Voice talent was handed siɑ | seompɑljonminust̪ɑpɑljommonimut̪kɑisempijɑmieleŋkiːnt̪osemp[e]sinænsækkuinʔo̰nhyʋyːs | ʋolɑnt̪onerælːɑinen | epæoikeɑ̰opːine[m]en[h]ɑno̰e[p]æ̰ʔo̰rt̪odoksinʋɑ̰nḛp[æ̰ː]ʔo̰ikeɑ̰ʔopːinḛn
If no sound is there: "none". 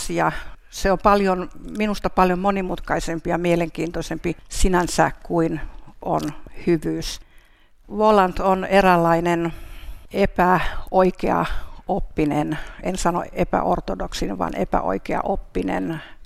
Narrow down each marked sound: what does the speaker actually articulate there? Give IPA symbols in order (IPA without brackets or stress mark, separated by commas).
i, n, s, p, æ̰